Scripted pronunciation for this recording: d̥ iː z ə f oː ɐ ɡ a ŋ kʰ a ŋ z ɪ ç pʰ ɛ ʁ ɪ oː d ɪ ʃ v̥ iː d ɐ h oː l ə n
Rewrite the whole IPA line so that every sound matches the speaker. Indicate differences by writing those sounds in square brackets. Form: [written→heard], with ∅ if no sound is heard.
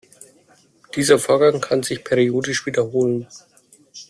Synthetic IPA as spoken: d̥ iː z [ə→ɐ] f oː ɐ ɡ a ŋ kʰ a [ŋ→n] z ɪ ç pʰ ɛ ʁ [ɪ→i] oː d ɪ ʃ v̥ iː d ɐ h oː l ə n